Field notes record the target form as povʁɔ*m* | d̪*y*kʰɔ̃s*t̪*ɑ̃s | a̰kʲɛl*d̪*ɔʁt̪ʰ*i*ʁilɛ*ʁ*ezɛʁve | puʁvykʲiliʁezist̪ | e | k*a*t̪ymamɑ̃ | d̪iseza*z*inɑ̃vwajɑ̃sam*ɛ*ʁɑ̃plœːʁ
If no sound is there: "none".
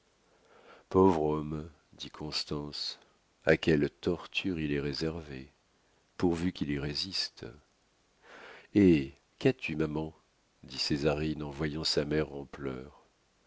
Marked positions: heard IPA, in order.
m, i, t̪, t̪, y, ʁ, a, ʁ, ɛ

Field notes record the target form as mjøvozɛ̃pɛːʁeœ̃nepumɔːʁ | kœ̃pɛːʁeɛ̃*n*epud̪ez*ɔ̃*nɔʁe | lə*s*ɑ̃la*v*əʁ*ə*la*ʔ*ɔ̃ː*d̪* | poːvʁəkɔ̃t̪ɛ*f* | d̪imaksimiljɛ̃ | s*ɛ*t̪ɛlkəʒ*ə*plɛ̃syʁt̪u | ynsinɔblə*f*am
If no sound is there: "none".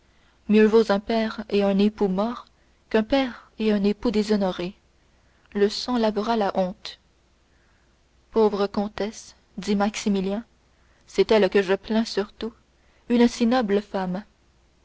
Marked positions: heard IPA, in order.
n, ɔ, s, v, a, ʔ, t̪, s, ɛ, ə, f

